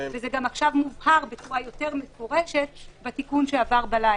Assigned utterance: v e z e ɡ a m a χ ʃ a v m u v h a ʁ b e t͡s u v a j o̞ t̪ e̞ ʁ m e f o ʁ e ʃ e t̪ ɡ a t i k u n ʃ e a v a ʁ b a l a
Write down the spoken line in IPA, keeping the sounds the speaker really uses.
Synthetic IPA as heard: v e z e ɡ a m a χ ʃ a v m u v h a ʁ b e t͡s u ʁ a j o̞ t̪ e̞ ʁ m e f o ʁ e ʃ e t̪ b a t i k u n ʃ e a v a ʁ b a l a